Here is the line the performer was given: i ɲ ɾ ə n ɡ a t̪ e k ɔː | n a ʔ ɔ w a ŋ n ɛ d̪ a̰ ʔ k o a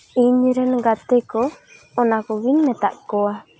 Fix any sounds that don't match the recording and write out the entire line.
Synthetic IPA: i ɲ ɾ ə n ɡ a t̪ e k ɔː | n a k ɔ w i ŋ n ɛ t̪ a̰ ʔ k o a